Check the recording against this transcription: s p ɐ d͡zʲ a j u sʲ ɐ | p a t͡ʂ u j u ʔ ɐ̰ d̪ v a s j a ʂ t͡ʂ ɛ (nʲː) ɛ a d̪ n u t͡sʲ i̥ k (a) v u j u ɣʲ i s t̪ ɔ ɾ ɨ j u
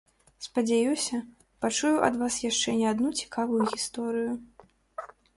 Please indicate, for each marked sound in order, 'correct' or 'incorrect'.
incorrect: nʲ, correct

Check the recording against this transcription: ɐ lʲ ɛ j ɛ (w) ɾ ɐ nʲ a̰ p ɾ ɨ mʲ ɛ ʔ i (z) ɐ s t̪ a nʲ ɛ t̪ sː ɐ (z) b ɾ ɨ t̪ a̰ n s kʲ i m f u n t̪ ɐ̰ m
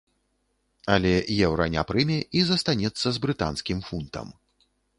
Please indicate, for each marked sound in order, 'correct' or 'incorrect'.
correct, correct, correct

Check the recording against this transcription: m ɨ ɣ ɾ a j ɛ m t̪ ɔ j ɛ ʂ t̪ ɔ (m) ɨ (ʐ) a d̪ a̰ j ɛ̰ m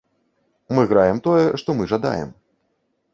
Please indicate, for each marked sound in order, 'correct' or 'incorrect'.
correct, correct

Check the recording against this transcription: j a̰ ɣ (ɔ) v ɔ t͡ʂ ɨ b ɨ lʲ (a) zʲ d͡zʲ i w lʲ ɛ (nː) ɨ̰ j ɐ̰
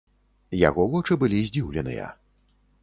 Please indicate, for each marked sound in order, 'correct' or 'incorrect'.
correct, incorrect: i, incorrect: n

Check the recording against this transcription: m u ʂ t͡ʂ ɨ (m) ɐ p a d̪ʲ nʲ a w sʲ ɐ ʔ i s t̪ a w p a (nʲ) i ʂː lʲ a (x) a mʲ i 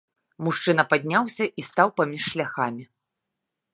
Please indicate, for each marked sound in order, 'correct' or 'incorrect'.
incorrect: n, incorrect: mʲ, correct

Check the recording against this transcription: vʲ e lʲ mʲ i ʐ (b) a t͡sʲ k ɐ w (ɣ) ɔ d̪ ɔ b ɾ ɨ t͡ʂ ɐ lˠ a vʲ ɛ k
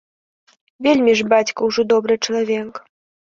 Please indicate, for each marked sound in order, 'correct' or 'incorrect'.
correct, incorrect: ʐ

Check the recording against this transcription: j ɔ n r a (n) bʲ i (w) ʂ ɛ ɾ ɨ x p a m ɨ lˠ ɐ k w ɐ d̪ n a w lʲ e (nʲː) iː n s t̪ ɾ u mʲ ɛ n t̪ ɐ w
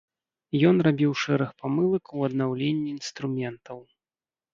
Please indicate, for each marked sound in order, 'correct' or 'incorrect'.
incorrect: none, correct, correct

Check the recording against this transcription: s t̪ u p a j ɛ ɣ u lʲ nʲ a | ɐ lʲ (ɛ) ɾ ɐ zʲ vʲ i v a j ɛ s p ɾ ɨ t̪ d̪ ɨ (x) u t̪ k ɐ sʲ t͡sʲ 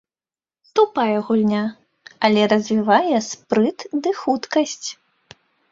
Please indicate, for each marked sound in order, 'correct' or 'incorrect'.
correct, correct

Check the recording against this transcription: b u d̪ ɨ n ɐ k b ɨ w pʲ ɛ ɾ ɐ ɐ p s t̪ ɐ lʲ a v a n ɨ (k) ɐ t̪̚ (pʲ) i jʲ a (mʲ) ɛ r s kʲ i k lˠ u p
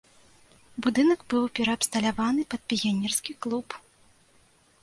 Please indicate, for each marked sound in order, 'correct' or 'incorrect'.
incorrect: p, correct, incorrect: nʲ

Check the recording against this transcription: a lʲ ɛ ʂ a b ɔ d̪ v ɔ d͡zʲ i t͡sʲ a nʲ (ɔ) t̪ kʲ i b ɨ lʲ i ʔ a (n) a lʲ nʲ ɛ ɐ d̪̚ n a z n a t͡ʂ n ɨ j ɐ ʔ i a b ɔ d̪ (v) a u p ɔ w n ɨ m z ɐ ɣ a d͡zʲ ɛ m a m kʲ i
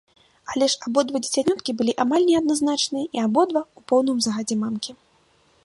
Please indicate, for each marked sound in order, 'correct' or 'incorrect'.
correct, incorrect: m, correct

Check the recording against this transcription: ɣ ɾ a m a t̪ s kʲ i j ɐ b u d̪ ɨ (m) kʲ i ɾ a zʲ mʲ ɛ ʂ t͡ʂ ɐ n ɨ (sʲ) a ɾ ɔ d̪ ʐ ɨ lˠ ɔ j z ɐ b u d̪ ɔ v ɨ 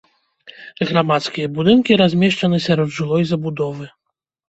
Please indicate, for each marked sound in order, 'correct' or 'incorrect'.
incorrect: n, correct

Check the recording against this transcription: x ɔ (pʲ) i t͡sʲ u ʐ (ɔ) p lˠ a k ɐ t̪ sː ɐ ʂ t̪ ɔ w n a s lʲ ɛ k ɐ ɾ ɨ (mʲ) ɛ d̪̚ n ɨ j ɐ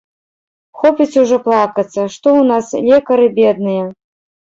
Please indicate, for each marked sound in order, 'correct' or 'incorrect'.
correct, correct, incorrect: bʲ

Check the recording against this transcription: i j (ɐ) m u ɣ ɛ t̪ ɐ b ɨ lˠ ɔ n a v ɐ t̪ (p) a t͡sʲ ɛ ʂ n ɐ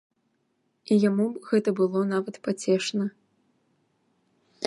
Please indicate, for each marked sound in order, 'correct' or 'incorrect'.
incorrect: a, correct

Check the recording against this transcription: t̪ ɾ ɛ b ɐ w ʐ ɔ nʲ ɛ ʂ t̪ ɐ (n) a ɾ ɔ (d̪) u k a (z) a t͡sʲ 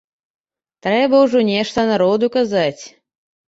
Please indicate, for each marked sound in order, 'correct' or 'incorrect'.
correct, correct, correct

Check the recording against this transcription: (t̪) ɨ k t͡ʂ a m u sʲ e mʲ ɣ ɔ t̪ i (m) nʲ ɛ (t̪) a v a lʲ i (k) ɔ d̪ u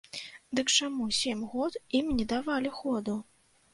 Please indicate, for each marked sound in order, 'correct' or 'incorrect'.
incorrect: d̪, correct, incorrect: d̪, incorrect: x

